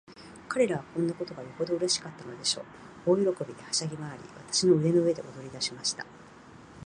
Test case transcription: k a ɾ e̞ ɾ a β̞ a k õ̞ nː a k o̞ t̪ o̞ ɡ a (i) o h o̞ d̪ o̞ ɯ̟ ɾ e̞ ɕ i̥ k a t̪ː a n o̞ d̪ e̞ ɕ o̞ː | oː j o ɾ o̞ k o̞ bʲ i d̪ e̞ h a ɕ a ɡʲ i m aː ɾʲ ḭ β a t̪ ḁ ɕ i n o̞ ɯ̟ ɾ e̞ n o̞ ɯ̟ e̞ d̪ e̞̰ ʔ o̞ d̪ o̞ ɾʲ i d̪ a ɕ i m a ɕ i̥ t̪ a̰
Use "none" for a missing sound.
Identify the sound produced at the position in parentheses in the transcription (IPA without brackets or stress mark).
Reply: j